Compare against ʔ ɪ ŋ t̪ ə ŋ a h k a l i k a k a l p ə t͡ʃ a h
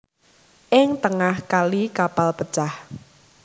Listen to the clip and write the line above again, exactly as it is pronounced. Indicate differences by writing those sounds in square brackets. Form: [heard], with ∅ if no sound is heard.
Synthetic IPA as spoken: ʔ ɪ ŋ t̪ ə ŋ a h k a l i k a [p] a l p ə t͡ʃ a h